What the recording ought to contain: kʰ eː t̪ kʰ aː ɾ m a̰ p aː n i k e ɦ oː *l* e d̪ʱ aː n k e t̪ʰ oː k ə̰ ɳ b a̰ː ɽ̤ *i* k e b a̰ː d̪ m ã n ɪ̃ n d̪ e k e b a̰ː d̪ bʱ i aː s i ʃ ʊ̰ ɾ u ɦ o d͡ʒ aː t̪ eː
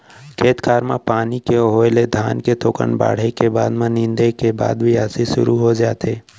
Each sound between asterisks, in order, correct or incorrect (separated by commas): correct, incorrect